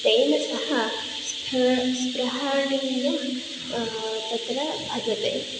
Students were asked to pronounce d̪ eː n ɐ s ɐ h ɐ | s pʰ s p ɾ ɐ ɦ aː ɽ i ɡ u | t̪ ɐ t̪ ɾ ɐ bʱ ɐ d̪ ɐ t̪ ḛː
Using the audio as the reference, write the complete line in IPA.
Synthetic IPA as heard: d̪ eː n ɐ s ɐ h ɐ | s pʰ s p ɾ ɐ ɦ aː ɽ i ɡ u | t̪ ɐ t̪ ɾ ɐ bʱ ɐ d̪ ɐ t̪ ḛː